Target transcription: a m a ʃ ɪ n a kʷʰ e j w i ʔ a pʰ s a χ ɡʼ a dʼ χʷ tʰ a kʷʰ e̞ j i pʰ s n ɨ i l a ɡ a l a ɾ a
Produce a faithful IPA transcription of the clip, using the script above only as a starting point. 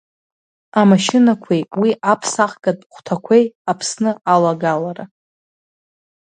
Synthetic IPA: a m a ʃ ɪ n a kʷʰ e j w i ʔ a pʰ s a χ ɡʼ a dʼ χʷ tʰ a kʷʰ e̞ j a pʰ s n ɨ a l a ɡ a l a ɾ a